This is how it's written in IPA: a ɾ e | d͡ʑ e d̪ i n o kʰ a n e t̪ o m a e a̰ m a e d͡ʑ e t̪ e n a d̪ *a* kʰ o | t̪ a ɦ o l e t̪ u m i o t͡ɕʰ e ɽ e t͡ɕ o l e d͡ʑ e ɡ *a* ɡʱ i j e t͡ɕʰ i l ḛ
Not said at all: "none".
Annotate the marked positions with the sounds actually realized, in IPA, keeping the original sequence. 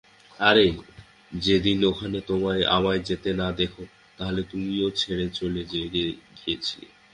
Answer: e, e

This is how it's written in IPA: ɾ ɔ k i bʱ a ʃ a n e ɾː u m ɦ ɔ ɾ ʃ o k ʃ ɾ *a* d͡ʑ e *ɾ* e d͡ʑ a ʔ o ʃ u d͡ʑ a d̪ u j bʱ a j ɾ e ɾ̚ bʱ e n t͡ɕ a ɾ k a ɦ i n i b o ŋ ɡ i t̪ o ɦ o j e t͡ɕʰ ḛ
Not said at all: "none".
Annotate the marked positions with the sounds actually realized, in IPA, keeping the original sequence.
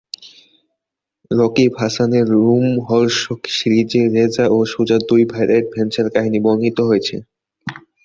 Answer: i, ɾ

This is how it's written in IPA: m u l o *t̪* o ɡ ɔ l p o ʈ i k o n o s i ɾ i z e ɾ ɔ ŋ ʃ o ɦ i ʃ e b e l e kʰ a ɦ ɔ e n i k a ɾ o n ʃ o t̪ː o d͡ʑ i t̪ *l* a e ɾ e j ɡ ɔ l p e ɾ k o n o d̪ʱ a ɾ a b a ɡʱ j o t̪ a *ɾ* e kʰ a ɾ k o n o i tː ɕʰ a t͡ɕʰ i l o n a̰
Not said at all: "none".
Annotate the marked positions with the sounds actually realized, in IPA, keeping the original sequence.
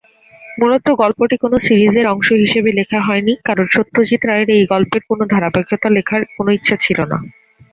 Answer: t̪, ɾ, l

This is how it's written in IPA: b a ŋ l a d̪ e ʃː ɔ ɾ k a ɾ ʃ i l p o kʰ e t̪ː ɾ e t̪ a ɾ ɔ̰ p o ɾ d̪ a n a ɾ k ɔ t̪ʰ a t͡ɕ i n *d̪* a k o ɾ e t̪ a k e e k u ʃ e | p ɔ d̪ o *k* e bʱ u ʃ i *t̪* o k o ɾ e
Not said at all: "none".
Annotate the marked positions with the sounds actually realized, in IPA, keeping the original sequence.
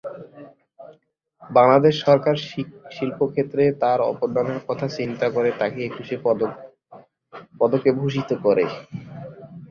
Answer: t̪, k, t̪

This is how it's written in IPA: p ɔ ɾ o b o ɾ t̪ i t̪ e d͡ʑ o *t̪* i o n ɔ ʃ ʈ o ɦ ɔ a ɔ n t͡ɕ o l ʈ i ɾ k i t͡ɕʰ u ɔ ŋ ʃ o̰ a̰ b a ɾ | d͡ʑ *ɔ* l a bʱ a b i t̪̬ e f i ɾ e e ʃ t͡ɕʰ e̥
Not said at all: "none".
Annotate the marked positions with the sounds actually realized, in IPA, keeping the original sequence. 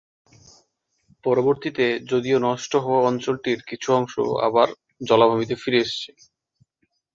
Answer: d̪, ɔ

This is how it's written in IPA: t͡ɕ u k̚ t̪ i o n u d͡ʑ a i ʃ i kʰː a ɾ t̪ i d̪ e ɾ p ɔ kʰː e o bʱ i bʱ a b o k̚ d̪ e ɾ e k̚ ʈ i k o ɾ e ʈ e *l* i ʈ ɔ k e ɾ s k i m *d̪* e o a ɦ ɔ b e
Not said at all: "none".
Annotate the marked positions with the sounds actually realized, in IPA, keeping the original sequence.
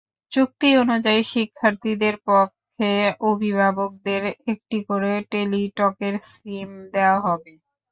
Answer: l, d̪

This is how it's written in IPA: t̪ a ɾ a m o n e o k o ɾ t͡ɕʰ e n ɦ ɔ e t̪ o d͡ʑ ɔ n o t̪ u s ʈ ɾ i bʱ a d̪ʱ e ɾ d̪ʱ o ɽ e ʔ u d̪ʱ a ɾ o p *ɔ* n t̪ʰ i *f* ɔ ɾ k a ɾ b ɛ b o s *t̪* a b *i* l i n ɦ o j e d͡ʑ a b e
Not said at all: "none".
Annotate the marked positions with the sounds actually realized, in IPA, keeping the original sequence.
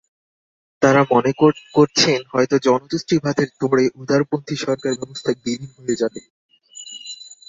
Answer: o, ʃ, t̪ʰ, i

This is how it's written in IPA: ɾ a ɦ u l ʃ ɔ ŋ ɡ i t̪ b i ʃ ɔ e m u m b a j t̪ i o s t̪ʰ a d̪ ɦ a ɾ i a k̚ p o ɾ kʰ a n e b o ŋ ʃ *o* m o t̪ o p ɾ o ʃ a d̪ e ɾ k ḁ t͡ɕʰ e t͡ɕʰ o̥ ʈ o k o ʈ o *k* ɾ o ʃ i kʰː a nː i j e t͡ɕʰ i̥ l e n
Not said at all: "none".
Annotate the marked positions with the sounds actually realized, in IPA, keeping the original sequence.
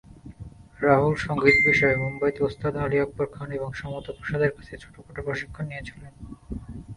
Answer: ɔ, p

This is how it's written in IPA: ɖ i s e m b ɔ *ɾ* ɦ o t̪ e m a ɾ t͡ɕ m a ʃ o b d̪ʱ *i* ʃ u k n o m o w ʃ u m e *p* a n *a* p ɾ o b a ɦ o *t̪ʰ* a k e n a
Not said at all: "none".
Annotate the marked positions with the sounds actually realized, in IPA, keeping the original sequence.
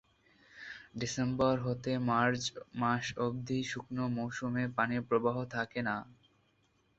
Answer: ɾ, i, p, e, t̪ʰ

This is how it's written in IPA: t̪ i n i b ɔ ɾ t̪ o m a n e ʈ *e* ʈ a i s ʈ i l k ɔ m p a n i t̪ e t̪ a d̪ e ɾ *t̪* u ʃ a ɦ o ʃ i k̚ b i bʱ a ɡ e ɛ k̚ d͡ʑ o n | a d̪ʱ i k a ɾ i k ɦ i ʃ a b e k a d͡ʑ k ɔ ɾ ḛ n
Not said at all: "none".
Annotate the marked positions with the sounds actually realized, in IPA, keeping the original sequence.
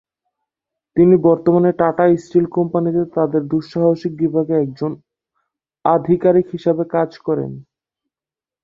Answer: a, d̪

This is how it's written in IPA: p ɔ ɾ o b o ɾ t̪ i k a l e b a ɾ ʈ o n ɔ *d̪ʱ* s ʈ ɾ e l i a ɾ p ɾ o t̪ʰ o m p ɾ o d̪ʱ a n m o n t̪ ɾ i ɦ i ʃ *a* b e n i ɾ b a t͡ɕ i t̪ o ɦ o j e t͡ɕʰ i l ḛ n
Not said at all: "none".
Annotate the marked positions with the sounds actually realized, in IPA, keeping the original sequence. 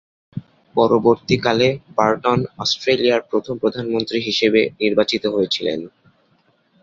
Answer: none, e

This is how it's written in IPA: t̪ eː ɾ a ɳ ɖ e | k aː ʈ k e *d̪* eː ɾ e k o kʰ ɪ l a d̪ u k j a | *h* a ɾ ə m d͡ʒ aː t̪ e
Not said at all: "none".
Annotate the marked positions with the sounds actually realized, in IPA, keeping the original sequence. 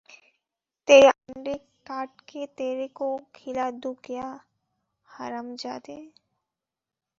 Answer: t̪, h

